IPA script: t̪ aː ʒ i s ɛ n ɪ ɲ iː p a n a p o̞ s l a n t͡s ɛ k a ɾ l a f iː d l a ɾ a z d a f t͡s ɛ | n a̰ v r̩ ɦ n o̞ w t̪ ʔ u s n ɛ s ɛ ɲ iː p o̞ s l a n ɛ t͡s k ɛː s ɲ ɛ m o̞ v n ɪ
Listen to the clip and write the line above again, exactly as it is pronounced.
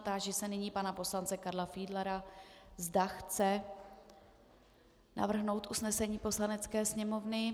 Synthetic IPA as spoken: t̪ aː ʒ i s ɛ n ɪ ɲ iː p a n a p o̞ s l a n t͡s ɛ k a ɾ l a f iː d l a ɾ a z d a x t͡s ɛ | n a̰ v r̩ ɦ n o̞ w t̪ ʔ u s n ɛ s ɛ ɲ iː p o̞ s l a n ɛ t͡s k ɛː s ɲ ɛ m o̞ v n ɪ